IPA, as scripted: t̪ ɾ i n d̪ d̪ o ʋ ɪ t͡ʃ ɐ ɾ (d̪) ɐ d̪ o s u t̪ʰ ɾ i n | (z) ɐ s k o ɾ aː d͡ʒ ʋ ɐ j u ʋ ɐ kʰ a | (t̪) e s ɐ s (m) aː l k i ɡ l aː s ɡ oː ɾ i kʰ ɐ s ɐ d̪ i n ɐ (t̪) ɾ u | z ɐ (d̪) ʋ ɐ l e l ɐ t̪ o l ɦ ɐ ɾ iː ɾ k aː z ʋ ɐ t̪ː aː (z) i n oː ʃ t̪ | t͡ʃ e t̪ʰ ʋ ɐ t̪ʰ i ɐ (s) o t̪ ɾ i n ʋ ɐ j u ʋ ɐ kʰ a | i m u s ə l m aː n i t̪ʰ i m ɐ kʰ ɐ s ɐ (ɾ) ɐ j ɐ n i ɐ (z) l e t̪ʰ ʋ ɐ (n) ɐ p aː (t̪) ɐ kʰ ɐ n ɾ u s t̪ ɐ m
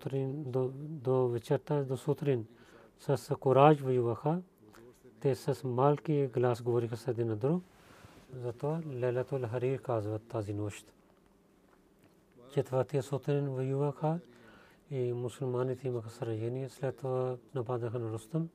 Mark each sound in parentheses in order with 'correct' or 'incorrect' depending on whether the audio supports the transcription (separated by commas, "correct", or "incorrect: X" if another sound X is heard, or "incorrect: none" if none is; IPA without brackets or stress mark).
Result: incorrect: t̪, incorrect: s, correct, correct, incorrect: d̪, incorrect: t̪, correct, correct, correct, incorrect: s, correct, incorrect: d̪